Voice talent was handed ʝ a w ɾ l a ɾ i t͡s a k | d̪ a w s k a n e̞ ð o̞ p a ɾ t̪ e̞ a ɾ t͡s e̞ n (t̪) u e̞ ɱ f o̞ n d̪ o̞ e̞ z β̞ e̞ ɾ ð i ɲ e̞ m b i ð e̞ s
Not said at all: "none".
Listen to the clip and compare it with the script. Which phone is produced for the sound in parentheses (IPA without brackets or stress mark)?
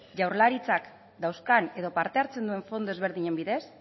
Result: d̪